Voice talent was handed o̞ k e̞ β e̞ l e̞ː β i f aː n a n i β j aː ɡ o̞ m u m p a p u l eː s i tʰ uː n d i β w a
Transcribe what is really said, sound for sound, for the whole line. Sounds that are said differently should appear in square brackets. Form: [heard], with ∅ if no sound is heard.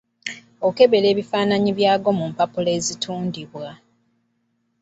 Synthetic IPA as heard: o̞ k e̞ β e̞ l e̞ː β i f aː n a [ɲ] i β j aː ɡ o̞ m u m p a p u l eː [z] i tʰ uː n d i β w a